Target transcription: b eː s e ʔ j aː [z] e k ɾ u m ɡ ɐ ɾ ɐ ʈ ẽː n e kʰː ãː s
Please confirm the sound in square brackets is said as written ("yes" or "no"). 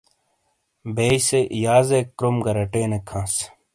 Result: yes